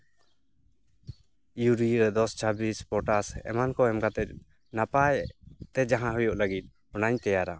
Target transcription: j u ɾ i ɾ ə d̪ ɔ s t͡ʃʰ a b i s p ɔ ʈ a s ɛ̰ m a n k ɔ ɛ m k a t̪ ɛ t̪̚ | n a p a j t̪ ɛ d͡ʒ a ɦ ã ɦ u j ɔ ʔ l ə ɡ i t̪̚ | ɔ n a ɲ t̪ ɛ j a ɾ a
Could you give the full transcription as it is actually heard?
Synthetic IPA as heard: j u ɾ i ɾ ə d̪ ɔ s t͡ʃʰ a b i s p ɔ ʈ a s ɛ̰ m a n k ɔ ɛ m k a t̪ ɛ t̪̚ | n a p a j t̪ ɛ d͡ʒ a ɦ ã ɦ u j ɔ ʔ l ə ɡ i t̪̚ | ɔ n a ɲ t̪ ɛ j a ɾ a